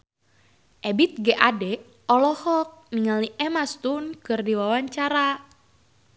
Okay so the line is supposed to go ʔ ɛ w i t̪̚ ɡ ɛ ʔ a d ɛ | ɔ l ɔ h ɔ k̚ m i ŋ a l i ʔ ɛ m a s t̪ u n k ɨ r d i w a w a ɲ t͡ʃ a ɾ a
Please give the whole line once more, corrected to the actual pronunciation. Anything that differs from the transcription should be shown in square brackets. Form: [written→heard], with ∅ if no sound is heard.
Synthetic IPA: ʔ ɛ [w→b] i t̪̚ ɡ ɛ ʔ a d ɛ | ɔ l ɔ h ɔ k̚ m i ŋ a l i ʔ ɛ m a s t̪ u n k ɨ r d i w a w a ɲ t͡ʃ a ɾ a